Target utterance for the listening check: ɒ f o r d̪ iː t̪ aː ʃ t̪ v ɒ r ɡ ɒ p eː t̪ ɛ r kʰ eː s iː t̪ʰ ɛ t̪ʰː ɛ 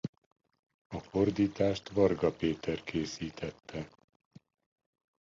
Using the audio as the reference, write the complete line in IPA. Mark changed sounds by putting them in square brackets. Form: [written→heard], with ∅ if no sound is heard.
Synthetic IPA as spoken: ɒ f o r d̪ iː t̪ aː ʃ t̪ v ɒ r ɡ ɒ p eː t̪ ɛ r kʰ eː s iː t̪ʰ ɛ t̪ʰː ɛ